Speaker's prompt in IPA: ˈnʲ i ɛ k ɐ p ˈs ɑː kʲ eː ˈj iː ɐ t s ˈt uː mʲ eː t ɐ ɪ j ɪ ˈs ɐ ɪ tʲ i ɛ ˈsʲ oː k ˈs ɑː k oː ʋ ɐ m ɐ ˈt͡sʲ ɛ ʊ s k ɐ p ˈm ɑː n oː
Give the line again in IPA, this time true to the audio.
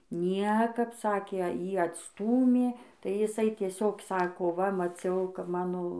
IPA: ˈnʲ i ɛ k ɐ p ˈs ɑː kʲ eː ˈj iː ɐ t s ˈt uː mʲ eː t ɐ ɪ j ɪ ˈs ɐ ɪ tʲ i ɛ ˈsʲ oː k ˈs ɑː k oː ʋ ɐ m ɐ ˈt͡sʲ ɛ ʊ k ɐ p ˈm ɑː n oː